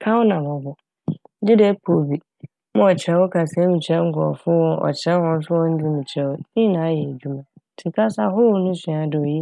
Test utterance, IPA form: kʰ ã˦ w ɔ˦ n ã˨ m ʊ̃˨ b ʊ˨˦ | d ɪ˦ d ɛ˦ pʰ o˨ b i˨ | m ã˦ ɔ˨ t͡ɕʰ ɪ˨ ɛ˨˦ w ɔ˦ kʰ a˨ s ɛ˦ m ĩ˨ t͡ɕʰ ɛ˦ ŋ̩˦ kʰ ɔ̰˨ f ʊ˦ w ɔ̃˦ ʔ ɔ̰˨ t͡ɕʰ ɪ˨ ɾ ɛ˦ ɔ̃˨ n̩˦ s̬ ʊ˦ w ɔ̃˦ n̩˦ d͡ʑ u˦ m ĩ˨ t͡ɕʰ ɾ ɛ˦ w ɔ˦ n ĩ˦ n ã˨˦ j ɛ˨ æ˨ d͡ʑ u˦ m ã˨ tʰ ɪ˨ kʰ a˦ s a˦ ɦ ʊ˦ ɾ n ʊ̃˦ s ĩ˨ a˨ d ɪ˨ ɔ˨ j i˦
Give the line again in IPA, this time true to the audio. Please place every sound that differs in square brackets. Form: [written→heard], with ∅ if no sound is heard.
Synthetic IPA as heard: kʰ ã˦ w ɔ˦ n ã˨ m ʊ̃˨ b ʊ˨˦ | d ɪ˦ d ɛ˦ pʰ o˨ b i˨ | m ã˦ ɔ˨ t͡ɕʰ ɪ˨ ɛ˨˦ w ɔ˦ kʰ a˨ s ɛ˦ m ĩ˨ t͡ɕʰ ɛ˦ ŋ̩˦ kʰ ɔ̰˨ f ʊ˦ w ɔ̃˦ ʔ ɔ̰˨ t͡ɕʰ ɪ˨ ɾ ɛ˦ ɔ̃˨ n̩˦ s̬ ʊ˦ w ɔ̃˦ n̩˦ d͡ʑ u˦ m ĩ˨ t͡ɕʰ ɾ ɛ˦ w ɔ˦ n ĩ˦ n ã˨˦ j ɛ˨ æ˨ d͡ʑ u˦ m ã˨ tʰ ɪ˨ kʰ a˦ s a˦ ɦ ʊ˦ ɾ n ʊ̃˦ s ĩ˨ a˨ d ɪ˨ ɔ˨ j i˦